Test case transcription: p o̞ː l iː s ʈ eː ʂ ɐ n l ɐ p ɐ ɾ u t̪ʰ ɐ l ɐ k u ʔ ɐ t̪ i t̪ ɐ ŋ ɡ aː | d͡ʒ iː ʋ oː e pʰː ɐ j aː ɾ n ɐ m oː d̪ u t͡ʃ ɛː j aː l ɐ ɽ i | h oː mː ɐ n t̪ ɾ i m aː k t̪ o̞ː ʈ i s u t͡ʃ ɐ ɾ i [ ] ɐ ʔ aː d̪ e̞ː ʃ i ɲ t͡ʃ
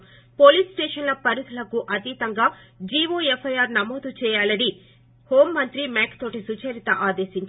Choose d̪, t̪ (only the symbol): t̪